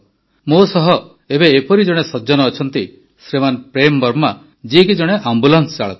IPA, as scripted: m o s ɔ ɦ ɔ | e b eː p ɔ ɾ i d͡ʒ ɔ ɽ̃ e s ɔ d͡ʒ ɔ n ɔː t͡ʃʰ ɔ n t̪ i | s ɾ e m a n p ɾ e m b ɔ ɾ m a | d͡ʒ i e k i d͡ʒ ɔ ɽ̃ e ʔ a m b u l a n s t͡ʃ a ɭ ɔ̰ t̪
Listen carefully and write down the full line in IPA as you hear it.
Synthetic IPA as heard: m o s ɔ ɦ ɔ | e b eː p ɔ ɾ i d͡ʒ ɔ ɽ̃ e s ɔ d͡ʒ ɔ n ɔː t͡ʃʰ ɔ n t̪ i | s ɾ e m a n p ɾ e m b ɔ ɾ m a | d͡ʒ i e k i d͡ʒ ɔ ɽ̃ e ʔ a m b u l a n s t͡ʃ a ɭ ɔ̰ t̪